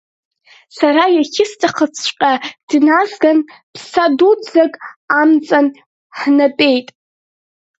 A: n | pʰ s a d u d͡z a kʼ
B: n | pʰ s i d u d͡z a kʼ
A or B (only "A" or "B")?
A